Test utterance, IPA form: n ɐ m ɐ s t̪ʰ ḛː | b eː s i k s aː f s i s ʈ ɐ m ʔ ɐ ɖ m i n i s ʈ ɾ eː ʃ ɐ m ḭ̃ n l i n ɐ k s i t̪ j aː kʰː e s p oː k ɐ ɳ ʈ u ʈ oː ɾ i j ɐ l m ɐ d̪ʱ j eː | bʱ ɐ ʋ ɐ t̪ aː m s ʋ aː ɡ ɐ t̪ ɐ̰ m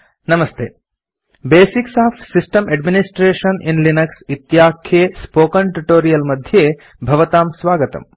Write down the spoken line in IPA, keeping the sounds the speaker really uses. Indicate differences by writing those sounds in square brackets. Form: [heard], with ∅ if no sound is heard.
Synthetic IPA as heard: n ɐ m ɐ s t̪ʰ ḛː | b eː s i k s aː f s i s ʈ ɐ m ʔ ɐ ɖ m i n i s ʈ ɾ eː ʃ ɐ [n] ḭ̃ n l i n ɐ k s i t̪ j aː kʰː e s p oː k ɐ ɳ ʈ u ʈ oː ɾ i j ɐ l m ɐ d̪ʱ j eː | bʱ ɐ ʋ ɐ t̪ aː m s ʋ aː ɡ ɐ t̪ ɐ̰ m